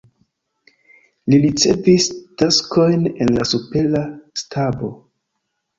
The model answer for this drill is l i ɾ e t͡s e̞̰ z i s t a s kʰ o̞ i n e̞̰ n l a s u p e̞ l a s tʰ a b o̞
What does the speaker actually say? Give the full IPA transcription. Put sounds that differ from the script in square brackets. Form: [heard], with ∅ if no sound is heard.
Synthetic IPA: l i ɾ [i] t͡s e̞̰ [v] i s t a s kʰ o̞ [j] n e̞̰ n l a s u p e̞ l a s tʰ a b o̞